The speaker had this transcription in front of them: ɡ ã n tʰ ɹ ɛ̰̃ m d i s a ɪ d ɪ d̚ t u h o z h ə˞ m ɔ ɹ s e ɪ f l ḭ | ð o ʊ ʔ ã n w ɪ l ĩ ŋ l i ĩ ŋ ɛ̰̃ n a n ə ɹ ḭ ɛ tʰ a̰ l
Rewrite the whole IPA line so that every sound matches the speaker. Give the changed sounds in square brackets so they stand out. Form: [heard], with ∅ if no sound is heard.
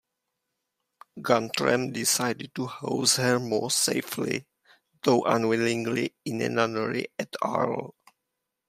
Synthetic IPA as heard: ɡ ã n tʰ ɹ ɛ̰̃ m d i s a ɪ d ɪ d̚ t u h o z h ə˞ m ɔ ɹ s e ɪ f l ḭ | ð o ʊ ʔ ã n w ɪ l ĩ ŋ l i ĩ [n] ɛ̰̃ n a n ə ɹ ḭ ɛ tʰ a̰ l